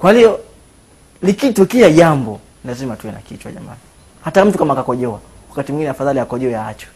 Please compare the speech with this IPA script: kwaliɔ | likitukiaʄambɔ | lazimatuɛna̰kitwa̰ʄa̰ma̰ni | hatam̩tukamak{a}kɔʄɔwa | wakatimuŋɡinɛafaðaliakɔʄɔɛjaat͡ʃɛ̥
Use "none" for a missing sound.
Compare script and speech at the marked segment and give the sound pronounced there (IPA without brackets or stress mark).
a